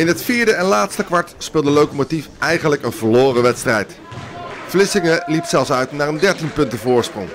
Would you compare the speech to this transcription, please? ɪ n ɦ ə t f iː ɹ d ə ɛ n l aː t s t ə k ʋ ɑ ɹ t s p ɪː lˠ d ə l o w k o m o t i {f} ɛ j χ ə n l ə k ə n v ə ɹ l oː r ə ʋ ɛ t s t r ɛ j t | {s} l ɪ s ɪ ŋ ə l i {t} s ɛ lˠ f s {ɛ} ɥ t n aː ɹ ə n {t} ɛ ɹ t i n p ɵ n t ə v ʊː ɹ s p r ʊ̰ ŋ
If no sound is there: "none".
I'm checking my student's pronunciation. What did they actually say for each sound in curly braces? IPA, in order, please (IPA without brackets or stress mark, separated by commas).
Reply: f, f, p, œ, d